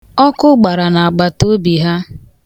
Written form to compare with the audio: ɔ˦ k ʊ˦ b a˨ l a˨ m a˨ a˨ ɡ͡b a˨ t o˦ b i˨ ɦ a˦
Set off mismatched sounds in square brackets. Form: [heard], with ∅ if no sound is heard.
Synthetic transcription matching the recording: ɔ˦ k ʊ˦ [ɡ͡b] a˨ [ɾ] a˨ [n] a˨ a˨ ɡ͡b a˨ t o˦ b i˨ ɦ a˦